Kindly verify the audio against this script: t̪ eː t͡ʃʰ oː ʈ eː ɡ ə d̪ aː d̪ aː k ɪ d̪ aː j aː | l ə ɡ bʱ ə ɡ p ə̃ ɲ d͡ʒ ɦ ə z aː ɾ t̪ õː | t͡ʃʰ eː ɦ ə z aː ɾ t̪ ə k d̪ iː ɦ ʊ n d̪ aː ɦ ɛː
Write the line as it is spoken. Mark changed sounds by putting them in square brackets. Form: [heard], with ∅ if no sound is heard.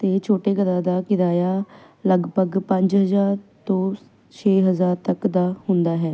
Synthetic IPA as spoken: t̪ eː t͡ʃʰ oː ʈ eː ɡ ə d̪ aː d̪ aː k ɪ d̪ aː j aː | l ə ɡ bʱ ə ɡ p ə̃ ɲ d͡ʒ ɦ ə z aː ɾ t̪ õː | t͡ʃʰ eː ɦ ə z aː ɾ t̪ ə k d̪ [aː] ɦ ʊ n d̪ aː ɦ ɛː